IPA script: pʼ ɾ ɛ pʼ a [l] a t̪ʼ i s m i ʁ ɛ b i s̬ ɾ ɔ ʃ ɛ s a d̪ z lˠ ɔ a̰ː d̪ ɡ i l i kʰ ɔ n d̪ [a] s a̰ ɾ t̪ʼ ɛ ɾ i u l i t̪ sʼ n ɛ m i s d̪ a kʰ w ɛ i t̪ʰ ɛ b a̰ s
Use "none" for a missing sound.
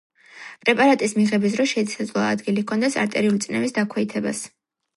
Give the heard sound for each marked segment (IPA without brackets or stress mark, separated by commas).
ɾ, ɛ